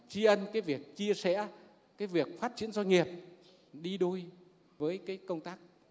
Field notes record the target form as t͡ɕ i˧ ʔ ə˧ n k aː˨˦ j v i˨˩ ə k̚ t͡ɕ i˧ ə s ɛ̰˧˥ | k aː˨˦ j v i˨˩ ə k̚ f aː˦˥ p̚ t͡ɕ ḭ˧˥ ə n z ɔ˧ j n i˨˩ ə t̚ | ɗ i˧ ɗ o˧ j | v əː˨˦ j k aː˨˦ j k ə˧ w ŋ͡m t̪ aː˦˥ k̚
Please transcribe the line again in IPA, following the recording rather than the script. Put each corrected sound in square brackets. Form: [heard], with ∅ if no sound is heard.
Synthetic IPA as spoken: t͡ɕ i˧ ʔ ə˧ n k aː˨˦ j v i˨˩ ə k̚ t͡ɕ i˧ ə s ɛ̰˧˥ | k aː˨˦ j v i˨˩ ə k̚ f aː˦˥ [t̚] t͡ɕ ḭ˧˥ ə n z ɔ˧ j [ŋ] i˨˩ ə [p̚] | ɗ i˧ ɗ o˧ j | v əː˨˦ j k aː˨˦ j k ə˧ w ŋ͡m t̪ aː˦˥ k̚